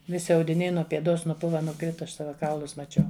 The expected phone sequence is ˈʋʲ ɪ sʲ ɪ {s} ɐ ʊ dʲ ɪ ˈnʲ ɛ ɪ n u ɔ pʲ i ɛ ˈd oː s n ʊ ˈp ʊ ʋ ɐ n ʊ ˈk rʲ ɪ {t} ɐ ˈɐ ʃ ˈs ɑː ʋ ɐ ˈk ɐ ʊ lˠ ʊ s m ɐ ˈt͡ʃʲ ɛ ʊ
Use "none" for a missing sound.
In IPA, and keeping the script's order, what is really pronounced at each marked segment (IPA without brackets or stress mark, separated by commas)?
none, t